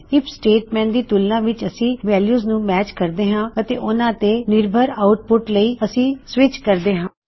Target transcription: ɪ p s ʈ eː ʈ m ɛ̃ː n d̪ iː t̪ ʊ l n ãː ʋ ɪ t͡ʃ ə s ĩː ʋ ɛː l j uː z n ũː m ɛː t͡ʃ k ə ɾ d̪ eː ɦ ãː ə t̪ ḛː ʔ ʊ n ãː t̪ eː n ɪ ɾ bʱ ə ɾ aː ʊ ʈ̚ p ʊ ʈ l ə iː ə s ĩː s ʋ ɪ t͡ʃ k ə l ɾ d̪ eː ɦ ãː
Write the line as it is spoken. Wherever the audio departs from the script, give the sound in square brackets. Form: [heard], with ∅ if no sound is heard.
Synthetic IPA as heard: ɪ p s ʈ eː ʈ m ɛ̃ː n d̪ iː t̪ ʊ l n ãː ʋ ɪ t͡ʃ ə s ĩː ʋ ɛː l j uː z n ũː m ɛː t͡ʃ k ə ɾ d̪ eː ɦ ãː ə t̪ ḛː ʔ ʊ n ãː t̪ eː n ɪ ɾ bʱ ə ɾ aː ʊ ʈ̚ p ʊ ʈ l ə iː ə s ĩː s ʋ ɪ t͡ʃ k ə [∅] ɾ d̪ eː ɦ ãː